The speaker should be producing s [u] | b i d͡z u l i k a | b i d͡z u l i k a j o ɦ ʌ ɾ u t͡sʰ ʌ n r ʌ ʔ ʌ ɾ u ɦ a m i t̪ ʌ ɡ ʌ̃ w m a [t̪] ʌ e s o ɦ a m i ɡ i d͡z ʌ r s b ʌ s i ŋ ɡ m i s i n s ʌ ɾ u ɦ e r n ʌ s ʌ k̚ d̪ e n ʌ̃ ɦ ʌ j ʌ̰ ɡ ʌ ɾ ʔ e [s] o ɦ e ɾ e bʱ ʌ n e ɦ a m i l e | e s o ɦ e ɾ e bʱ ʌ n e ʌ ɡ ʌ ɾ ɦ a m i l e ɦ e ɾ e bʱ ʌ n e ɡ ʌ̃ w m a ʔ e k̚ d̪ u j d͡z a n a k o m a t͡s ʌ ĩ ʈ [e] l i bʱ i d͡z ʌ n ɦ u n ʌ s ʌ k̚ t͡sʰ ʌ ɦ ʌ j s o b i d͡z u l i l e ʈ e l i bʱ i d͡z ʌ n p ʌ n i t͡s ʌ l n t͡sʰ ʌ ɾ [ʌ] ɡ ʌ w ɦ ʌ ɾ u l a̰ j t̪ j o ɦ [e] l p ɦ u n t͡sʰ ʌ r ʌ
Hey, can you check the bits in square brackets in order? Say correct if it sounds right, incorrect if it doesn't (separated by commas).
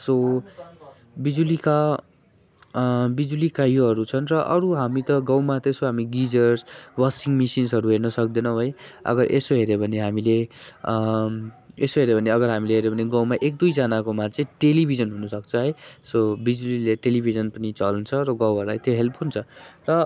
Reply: incorrect, correct, correct, correct, correct, correct